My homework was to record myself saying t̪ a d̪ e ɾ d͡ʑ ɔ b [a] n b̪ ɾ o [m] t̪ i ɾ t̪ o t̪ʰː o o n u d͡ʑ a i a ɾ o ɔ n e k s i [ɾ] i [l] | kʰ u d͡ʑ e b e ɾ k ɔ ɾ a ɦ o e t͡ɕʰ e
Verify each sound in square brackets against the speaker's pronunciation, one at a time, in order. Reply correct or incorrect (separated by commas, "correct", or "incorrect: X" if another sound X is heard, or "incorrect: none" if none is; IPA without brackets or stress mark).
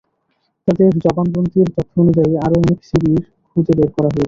correct, incorrect: n, correct, incorrect: ɾ